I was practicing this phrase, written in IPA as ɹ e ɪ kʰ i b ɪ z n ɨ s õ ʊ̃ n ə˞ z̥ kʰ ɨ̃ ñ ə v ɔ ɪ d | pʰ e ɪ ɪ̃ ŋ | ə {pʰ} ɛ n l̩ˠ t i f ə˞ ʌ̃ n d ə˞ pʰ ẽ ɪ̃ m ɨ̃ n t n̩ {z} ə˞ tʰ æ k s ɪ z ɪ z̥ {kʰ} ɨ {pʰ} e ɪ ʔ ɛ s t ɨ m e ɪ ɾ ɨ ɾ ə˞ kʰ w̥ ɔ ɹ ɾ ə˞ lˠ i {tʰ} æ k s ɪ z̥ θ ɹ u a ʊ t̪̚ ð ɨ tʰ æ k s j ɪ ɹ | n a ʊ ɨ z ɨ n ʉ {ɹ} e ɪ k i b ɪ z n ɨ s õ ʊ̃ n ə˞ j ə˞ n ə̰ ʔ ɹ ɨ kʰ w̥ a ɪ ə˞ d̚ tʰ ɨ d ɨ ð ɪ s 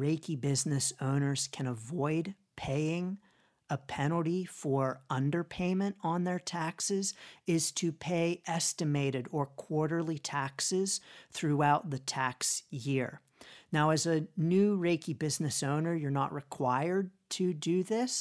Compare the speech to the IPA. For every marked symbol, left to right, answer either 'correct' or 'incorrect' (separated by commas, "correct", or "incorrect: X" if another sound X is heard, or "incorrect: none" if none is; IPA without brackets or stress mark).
correct, incorrect: ð, incorrect: tʰ, correct, correct, correct